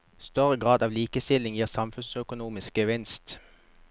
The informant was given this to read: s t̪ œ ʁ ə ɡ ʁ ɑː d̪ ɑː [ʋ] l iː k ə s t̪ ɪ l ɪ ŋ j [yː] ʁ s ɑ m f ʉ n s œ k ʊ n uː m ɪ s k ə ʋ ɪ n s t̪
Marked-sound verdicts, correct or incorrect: correct, incorrect

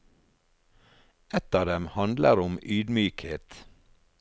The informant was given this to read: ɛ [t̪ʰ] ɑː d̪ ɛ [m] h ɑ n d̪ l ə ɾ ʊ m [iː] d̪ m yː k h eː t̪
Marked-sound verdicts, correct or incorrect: incorrect, correct, incorrect

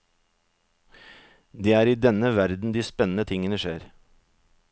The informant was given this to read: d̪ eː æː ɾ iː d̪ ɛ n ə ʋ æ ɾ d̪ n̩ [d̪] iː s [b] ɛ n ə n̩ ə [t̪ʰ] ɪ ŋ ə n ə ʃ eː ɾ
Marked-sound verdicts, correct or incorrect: correct, incorrect, correct

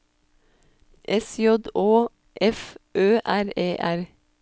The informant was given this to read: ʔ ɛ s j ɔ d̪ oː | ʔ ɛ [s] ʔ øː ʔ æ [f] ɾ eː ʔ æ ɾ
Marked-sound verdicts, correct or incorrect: incorrect, incorrect

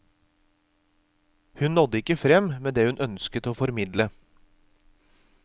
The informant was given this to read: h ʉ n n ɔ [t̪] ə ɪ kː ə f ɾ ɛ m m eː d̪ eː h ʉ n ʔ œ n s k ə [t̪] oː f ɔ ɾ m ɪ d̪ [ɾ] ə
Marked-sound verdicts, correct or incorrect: incorrect, correct, incorrect

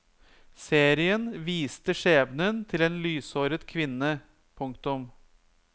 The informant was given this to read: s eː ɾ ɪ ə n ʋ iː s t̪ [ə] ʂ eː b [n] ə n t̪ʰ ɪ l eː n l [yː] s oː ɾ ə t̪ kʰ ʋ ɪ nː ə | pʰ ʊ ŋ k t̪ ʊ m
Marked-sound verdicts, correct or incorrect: correct, correct, correct

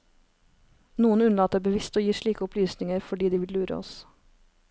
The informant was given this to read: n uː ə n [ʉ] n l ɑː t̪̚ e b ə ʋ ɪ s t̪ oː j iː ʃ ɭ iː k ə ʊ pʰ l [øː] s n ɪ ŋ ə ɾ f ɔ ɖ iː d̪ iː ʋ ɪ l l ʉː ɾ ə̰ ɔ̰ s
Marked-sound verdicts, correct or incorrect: correct, incorrect

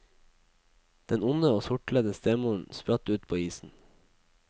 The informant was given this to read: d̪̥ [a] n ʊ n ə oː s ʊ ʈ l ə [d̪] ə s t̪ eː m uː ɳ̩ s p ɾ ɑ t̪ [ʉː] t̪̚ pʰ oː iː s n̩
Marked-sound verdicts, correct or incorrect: incorrect, correct, correct

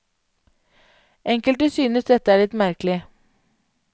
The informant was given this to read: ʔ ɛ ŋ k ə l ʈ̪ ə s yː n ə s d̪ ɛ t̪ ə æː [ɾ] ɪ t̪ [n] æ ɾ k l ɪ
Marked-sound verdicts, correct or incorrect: incorrect, incorrect

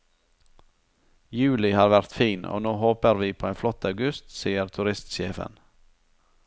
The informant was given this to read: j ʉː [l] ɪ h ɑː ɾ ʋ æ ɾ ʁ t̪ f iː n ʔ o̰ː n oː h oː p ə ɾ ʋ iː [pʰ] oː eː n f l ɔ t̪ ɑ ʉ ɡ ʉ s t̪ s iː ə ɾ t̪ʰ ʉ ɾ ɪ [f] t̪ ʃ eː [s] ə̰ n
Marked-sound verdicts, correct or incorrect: correct, correct, incorrect, incorrect

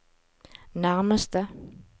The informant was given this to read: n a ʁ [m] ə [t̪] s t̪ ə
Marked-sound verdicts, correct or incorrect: correct, incorrect

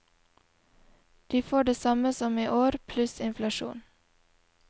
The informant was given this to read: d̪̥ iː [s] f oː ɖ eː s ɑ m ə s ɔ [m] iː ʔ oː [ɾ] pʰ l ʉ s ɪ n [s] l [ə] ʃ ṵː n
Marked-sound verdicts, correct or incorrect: incorrect, correct, correct, incorrect, incorrect

